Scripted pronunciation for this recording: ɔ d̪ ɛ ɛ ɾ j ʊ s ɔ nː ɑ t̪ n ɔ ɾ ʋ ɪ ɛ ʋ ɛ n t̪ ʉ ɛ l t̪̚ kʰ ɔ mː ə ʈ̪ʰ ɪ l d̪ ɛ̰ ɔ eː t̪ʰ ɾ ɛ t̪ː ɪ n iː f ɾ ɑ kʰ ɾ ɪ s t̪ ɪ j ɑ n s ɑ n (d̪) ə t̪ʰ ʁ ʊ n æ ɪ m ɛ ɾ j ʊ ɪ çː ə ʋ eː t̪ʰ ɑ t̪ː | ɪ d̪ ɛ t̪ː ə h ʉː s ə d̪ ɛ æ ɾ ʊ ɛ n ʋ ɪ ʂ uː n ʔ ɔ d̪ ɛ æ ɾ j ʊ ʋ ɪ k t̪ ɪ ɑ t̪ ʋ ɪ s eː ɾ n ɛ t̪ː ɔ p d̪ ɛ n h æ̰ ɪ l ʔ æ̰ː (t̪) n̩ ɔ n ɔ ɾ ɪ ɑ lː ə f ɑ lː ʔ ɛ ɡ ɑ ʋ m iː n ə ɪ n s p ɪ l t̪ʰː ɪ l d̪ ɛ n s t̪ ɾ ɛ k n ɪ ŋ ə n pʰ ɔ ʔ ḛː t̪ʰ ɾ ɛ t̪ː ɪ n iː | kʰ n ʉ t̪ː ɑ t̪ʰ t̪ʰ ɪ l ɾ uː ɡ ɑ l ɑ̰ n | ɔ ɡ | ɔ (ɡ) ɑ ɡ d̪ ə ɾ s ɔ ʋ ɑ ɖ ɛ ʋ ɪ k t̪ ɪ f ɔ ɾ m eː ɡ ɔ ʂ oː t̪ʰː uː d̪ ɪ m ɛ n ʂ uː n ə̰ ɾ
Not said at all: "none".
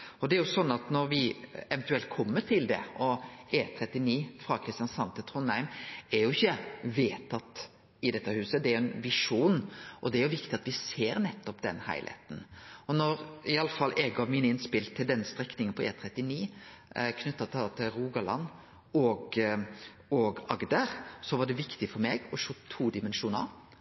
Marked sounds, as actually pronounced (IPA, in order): t̪, t̪, ɡ

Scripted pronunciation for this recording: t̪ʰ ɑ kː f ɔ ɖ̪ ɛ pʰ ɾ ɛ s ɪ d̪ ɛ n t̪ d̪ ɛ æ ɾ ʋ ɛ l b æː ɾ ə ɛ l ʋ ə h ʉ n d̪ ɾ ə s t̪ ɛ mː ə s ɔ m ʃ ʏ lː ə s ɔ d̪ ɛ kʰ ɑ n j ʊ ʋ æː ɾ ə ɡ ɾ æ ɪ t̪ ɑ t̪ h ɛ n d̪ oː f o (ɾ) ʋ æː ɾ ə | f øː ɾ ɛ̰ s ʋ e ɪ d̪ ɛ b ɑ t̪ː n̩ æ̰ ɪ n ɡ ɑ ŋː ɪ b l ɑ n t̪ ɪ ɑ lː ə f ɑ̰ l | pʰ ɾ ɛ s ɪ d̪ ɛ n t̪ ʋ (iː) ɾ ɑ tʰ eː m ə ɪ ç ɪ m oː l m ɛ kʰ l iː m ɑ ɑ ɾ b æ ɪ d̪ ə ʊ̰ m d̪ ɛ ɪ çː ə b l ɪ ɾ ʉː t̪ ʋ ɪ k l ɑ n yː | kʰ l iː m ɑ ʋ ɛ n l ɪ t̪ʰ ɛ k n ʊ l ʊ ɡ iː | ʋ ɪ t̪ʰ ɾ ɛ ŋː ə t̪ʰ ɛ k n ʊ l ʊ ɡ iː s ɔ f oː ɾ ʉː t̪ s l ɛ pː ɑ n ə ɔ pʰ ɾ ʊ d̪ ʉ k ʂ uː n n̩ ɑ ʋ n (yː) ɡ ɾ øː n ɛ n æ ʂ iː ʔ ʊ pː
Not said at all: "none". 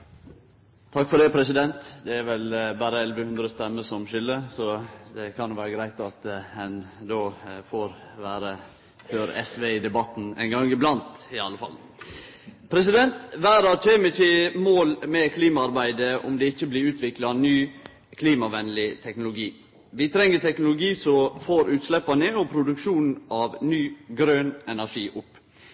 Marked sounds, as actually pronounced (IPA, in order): ɾ, æː, yː

